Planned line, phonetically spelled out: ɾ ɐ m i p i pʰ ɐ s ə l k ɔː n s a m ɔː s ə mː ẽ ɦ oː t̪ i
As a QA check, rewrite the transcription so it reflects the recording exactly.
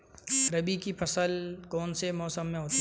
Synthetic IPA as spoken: ɾ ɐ b i k i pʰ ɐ s ə l k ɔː n s e m ɔː s ə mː ẽ ɦ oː t̪ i